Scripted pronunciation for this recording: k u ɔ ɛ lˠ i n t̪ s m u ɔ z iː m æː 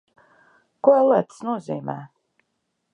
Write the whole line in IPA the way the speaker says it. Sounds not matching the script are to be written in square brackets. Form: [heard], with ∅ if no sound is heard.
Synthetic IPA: k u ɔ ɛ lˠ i [∅] t̪ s [n] u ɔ z iː m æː